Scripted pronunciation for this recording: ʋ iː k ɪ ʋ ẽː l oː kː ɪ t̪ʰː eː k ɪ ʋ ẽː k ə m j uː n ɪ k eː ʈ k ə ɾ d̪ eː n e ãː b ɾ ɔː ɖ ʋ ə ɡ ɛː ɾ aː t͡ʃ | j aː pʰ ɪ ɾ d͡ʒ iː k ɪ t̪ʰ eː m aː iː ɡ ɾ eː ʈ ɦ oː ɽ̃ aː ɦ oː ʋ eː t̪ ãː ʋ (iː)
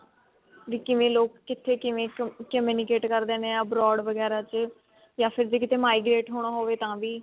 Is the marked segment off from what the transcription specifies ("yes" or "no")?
no